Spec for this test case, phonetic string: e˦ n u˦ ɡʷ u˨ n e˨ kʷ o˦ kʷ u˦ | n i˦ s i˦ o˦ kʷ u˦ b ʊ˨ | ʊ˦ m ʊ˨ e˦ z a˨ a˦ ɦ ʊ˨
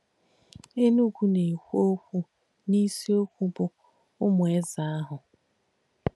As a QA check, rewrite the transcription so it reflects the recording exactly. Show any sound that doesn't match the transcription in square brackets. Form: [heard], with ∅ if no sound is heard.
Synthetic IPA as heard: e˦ n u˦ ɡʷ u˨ n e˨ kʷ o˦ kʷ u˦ | n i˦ s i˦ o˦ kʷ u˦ b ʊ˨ | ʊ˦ m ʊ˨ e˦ z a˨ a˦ ɦ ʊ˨